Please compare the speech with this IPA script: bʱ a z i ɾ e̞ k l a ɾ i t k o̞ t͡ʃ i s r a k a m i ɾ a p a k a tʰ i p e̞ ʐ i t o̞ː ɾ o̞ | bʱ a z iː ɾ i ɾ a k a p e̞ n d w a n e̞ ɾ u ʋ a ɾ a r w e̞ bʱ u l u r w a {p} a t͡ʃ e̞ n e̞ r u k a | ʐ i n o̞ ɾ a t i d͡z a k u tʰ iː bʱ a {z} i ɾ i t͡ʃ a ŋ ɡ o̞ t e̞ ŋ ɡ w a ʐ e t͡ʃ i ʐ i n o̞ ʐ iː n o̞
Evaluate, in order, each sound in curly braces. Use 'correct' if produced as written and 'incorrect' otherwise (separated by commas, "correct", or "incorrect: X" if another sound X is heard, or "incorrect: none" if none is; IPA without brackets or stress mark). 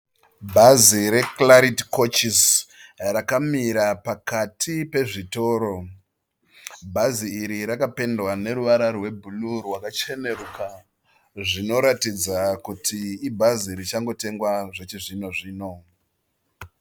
incorrect: k, correct